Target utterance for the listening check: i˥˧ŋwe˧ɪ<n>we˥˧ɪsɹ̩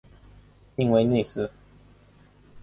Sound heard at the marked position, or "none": n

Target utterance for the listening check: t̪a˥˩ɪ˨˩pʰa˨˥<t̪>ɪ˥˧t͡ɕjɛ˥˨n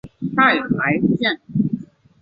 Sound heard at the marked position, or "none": none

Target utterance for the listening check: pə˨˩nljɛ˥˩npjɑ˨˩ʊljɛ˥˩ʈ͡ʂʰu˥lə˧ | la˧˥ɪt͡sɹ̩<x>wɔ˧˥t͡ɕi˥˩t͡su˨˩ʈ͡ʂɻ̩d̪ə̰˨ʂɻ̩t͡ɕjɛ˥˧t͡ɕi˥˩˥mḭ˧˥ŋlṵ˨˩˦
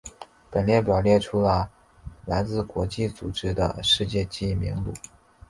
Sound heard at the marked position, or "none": k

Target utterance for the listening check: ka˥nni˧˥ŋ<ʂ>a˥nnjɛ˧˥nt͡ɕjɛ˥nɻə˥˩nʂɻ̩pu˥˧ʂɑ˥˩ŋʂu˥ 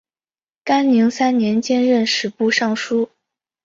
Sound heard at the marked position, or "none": s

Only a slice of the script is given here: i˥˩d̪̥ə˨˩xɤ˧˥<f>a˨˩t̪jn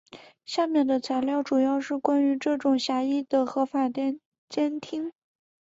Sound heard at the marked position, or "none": f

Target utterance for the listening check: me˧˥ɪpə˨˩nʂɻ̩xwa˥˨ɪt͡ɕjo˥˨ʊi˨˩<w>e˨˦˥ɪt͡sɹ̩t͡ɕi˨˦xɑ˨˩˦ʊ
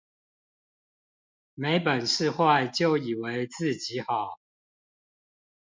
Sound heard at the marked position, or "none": w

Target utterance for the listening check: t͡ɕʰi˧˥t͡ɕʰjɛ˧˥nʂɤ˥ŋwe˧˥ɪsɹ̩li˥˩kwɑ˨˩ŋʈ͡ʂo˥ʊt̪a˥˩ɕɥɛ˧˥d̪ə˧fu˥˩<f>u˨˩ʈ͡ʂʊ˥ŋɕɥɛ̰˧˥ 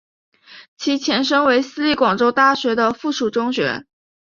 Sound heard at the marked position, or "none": ʂ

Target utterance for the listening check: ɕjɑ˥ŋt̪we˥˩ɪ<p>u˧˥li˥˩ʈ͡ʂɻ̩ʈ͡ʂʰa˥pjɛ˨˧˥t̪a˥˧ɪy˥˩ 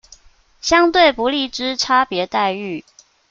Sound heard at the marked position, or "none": p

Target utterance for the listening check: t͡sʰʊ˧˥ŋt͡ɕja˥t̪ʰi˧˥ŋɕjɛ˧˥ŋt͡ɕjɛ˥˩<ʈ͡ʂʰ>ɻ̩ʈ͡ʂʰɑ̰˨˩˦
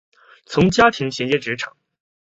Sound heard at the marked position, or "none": ʈ͡ʂ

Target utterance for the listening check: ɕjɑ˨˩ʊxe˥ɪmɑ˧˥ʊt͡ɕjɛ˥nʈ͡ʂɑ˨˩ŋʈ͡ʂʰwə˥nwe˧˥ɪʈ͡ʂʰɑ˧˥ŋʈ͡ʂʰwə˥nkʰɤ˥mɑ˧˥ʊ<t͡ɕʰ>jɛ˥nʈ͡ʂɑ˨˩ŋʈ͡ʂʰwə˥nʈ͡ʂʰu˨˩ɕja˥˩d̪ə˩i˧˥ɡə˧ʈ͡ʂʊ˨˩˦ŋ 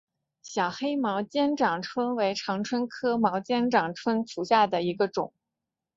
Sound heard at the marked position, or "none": t͡ɕ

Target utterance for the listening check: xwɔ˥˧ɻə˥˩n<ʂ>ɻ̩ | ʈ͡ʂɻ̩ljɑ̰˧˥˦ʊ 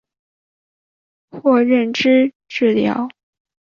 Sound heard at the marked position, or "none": ʈ͡ʂ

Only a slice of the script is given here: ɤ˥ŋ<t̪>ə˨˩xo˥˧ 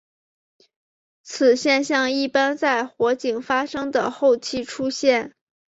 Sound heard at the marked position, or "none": d̪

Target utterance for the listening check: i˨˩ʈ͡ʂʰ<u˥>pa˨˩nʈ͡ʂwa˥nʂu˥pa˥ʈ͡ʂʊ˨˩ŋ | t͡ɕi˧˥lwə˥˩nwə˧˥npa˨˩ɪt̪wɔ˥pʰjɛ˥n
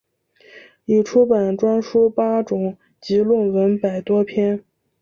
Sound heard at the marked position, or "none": u˥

